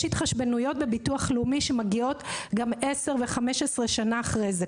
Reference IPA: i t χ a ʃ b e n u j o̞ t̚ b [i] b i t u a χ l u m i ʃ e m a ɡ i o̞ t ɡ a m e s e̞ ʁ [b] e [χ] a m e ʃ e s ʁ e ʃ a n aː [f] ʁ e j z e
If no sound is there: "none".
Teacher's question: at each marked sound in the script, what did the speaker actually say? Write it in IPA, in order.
e, v, χ, χ

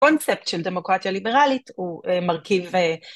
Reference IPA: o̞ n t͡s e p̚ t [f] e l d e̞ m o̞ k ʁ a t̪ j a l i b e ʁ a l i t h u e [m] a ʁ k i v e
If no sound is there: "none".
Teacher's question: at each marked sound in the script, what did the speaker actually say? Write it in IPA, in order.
ʃ, m

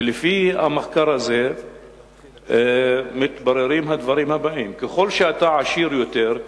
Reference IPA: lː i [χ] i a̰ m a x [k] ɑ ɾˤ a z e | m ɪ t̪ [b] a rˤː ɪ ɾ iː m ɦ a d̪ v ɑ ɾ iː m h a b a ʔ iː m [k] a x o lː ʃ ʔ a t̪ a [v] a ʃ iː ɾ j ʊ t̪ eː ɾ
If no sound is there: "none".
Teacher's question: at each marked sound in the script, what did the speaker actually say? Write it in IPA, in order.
f, k, b, k, ʕ

